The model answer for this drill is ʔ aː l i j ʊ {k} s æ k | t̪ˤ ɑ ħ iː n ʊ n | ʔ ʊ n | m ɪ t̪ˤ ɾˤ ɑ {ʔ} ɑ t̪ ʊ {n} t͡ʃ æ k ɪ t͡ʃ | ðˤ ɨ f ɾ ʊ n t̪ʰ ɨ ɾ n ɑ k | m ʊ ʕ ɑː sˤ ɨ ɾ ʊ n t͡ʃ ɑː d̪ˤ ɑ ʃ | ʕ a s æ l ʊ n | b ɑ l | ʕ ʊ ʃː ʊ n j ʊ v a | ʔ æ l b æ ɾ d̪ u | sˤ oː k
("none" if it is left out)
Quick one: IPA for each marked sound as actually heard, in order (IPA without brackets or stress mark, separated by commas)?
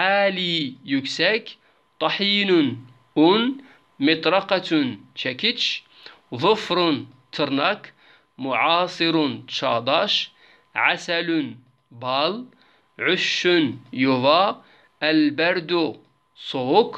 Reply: k, q, n